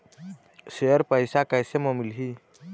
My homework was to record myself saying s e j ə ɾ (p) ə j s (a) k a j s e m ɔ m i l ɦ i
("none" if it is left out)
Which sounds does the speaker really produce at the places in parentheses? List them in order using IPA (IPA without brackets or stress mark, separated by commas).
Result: p, a